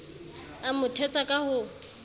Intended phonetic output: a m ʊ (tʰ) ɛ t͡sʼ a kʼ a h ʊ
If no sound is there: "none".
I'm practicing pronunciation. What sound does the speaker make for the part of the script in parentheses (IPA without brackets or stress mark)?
tʰ